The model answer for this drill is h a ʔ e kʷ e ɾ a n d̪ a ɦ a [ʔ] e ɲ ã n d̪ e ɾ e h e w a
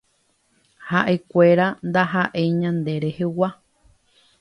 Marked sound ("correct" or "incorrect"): correct